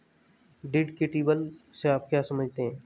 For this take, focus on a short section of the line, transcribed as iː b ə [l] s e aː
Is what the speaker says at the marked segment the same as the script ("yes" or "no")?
yes